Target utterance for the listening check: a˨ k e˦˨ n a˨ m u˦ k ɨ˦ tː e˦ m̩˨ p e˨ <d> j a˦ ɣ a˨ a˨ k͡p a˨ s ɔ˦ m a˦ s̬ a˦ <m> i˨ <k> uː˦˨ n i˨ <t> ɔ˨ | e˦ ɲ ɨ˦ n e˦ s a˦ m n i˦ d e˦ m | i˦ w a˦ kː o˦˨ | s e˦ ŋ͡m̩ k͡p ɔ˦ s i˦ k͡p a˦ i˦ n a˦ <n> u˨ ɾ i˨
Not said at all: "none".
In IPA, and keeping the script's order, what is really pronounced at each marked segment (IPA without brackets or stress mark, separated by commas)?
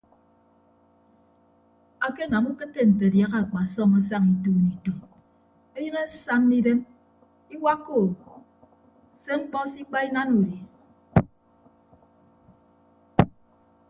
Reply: d, ŋ, t, t, n